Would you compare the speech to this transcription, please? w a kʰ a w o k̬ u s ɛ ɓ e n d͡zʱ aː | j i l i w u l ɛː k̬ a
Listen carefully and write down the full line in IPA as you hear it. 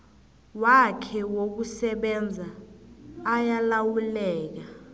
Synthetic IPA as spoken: w a kʰ ɛ w o k̬ u s ɛ ɓ ɛ n d͡zʱ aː | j a l a w u l ɛː k̬ a